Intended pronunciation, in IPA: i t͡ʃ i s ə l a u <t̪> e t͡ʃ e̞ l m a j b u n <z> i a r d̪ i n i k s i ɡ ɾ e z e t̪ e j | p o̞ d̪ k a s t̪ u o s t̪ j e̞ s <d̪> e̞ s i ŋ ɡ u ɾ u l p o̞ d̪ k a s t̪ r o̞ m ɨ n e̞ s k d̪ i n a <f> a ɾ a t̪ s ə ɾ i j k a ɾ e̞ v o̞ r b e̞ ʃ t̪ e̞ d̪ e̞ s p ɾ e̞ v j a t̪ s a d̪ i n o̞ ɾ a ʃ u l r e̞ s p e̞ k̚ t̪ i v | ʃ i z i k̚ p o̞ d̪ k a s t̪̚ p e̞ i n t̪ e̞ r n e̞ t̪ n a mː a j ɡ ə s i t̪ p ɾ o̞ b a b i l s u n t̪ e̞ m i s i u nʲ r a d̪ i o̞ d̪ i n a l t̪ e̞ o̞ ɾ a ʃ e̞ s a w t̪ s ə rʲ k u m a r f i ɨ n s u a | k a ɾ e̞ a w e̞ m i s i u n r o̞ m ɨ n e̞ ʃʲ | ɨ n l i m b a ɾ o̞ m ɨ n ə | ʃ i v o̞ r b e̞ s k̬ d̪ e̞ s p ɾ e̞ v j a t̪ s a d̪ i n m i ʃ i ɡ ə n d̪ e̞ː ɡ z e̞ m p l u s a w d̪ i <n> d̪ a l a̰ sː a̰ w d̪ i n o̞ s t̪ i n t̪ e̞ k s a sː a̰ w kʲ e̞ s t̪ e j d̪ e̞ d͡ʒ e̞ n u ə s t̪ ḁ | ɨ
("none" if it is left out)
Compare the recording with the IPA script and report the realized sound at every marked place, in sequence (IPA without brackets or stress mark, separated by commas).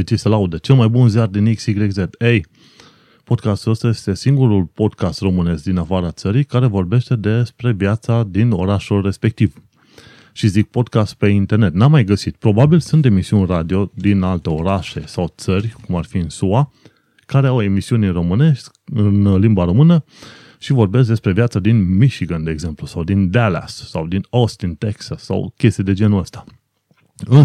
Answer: d̪, z, t̪, f, n